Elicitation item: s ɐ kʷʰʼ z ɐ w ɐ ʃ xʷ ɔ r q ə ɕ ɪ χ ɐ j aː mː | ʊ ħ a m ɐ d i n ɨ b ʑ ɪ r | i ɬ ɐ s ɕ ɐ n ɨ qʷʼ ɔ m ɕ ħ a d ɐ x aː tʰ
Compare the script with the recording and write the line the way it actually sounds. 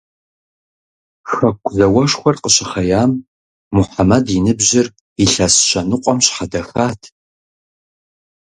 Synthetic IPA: x ɐ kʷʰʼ z ɐ w ɐ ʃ xʷ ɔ r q ə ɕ ɪ χ ɐ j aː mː | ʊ ħ a m ɐ d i n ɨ b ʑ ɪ r | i ɬ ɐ s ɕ ɐ n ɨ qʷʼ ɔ m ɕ ħ a d ɐ x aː tʰ

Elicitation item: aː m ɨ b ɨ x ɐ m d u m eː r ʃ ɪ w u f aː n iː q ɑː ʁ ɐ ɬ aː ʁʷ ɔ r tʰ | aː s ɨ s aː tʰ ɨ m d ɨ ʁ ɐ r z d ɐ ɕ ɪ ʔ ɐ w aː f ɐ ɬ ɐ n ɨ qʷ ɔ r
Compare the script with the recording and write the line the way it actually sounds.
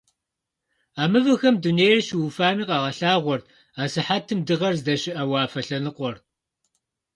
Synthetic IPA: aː m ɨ v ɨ x ɐ m d u n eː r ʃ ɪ w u f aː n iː q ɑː ʁ ɐ ɬ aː ʁʷ ɔ r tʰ | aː s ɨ ħ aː tʰ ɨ m d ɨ ʁ ɐ r z d ɐ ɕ ɪ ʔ ɐ w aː f ɐ ɬ ɐ n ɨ qʷ ɔ r

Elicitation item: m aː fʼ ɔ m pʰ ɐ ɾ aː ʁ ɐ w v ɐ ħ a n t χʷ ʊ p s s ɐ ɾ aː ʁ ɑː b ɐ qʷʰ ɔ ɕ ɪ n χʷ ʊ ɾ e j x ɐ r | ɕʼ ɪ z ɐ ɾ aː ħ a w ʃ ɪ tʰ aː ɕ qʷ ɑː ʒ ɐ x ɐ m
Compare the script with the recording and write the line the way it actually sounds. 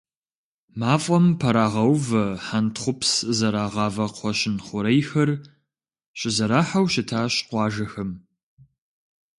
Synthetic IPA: m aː fʼ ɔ m pʰ ɐ ɾ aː ʁ ɐ w v ɐ ħ a n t χʷ ʊ p s z ɐ ɾ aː ʁ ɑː v ɐ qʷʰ ɔ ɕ ɪ n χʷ ʊ ɾ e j x ɐ r | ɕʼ ɪ z ɐ ɾ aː ħ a w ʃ ɪ tʰ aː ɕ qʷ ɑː ʒ ɐ x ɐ m

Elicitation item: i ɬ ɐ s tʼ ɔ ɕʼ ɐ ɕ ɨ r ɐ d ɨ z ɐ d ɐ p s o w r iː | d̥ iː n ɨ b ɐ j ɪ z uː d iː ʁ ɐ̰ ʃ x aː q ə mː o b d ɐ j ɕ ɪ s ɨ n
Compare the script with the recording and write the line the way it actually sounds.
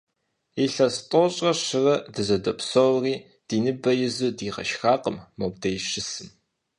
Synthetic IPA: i ɬ ɐ s tʼ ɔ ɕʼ ɐ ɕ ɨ r ɐ d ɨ z ɐ d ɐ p s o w r iː | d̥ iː n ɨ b ɐ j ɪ z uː d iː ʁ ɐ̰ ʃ x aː q ə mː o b d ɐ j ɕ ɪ s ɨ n

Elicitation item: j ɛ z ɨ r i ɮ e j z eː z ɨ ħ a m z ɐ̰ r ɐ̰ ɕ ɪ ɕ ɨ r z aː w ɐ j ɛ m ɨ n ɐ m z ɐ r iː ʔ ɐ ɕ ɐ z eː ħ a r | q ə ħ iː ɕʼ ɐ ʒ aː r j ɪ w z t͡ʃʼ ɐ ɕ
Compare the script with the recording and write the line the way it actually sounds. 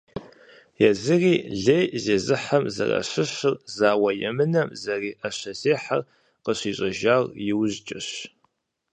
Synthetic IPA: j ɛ z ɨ r iː ɮ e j z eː z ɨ ħ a m z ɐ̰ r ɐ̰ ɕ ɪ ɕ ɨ r z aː w ɐ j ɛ m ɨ n ɐ m z ɐ r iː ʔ ɐ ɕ ɐ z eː ħ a r | q ə ɕ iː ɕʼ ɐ ʒ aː r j ɪ w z t͡ʃʼ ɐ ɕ

